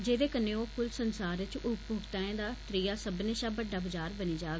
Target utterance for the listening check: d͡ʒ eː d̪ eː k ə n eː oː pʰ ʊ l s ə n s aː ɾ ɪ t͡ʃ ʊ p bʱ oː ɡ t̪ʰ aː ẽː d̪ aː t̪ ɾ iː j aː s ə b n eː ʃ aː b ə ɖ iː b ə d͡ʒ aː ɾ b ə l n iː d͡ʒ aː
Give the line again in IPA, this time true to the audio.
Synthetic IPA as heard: d͡ʒ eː d̪ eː k ə n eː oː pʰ ʊ l s ə n s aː ɾ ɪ t͡ʃ ʊ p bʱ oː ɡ t̪ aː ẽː d̪ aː t̪ ɾ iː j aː s ə b n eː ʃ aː b ə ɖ aː b ə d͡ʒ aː ɾ b ə n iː d͡ʒ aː